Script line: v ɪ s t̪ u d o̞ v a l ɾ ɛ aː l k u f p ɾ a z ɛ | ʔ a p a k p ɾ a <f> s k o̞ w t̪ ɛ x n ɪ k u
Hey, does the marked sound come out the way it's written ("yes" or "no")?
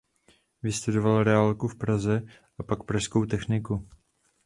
no